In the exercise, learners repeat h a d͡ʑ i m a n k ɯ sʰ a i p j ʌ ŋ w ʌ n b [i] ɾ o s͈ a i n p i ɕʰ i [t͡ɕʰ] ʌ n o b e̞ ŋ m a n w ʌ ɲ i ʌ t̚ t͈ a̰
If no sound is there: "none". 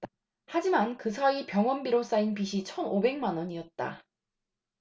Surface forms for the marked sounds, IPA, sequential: i, t͡ɕʰ

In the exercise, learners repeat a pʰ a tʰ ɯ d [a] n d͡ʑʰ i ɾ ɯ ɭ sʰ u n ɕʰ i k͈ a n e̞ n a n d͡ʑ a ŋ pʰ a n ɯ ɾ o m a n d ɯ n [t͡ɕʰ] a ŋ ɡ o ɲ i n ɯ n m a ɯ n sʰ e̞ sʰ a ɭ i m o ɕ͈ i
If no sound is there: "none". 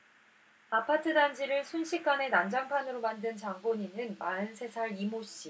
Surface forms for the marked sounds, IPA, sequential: a, t͡ɕ

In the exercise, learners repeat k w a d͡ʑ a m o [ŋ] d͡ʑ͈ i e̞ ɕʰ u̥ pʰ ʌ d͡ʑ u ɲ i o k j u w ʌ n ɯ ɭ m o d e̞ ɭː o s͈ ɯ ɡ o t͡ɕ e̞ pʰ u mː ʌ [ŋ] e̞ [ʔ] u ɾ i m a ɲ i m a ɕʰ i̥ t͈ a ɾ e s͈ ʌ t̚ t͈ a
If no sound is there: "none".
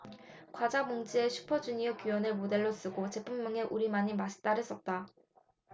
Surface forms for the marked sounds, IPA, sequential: ŋ, ŋ, ʔ

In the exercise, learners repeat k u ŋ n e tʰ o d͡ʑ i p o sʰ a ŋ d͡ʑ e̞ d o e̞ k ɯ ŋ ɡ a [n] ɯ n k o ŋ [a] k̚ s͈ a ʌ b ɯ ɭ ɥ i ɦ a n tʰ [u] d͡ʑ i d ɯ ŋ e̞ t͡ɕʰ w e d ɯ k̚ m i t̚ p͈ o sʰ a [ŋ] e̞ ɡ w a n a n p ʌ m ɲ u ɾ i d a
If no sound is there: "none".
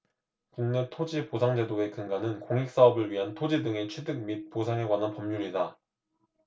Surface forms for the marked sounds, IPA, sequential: n, i, o, ŋ

